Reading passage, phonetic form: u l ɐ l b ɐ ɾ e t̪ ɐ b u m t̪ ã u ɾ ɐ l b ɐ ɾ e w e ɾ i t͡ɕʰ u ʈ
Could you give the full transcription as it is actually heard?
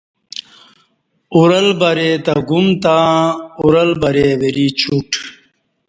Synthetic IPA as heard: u ɾ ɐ l b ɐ ɾ e t̪ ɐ ɡ u m t̪ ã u ɾ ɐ l b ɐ ɾ e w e ɾ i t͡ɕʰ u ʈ